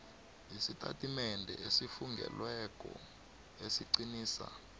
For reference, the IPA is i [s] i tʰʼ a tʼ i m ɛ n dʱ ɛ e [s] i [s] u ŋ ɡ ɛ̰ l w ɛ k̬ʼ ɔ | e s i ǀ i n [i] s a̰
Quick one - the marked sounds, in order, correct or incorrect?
correct, correct, incorrect: f, incorrect: iː

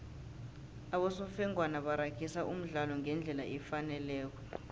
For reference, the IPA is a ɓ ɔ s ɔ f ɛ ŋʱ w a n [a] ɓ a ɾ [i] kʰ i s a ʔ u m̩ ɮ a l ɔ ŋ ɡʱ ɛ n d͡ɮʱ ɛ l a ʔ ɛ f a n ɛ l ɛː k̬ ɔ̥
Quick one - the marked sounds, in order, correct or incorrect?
correct, incorrect: a

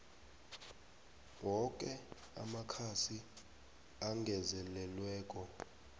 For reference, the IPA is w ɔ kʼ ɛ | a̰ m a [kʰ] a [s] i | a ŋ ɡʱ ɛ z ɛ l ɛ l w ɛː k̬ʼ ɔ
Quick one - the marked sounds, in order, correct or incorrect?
correct, correct

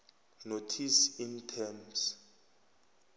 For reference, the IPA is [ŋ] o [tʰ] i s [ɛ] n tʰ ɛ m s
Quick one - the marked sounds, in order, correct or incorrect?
incorrect: n, correct, incorrect: i

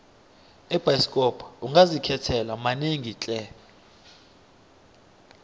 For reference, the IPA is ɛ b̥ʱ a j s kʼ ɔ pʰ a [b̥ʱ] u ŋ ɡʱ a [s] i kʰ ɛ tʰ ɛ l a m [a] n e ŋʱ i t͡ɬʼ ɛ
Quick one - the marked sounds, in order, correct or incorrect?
incorrect: none, incorrect: z, correct

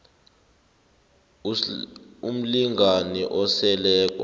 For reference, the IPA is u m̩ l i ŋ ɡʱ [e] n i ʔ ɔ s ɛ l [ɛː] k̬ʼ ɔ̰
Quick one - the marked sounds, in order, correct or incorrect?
incorrect: a, correct

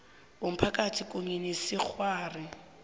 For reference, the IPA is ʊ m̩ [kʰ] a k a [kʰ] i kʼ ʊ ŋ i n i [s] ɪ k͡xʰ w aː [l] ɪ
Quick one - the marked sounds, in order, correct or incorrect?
incorrect: pʰ, incorrect: tʰ, correct, incorrect: r

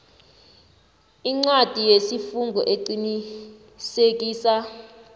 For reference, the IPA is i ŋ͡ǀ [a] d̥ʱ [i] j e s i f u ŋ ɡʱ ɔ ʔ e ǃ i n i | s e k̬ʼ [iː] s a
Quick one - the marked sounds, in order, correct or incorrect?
correct, correct, correct

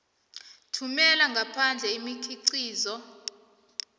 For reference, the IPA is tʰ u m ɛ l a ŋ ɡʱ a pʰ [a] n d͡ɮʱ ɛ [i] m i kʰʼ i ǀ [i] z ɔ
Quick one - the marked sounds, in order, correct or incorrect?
correct, correct, incorrect: iː

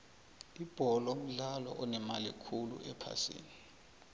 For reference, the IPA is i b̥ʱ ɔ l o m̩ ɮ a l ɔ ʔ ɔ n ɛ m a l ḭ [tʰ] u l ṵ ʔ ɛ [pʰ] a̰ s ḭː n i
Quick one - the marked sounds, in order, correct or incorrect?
incorrect: kʰ, correct

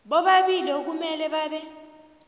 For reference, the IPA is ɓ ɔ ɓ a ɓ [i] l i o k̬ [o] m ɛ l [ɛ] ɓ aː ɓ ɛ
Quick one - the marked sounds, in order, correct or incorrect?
correct, incorrect: u, correct

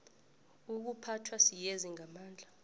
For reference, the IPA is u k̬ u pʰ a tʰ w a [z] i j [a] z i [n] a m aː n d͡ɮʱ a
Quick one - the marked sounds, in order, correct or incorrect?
incorrect: s, incorrect: e, incorrect: ŋ

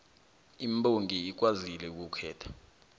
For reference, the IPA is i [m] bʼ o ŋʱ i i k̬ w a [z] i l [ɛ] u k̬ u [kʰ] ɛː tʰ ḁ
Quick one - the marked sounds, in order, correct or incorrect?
correct, correct, correct, correct

